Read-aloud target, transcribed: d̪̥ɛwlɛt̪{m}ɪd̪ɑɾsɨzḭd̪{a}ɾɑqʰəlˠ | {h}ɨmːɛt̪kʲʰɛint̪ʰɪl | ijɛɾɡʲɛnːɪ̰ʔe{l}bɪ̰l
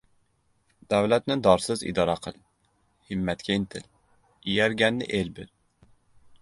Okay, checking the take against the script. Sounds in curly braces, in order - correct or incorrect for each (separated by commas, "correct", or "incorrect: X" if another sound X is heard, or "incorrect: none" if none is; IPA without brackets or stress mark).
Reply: incorrect: n, incorrect: ɑ, correct, correct